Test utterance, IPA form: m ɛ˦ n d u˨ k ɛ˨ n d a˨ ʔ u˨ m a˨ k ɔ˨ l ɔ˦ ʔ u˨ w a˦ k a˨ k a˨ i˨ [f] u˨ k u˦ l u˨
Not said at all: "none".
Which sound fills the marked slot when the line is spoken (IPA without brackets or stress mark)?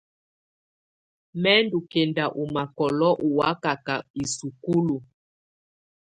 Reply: s